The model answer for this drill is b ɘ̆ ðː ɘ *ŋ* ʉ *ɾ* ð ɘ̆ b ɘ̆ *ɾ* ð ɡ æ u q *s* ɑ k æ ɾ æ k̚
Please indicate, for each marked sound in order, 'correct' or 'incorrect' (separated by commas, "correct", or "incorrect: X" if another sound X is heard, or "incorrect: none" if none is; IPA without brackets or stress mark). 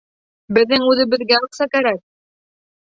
correct, incorrect: none, incorrect: none, correct